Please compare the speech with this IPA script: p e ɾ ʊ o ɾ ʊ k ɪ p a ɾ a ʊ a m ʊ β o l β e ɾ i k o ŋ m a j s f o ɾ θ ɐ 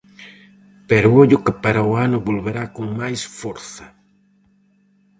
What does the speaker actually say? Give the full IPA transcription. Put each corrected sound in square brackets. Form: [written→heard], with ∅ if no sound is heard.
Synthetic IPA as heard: p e ɾ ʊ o [ɾ→ʎ] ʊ k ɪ p a ɾ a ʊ a [m→n] ʊ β o l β e ɾ [i→a] k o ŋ m a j s f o ɾ θ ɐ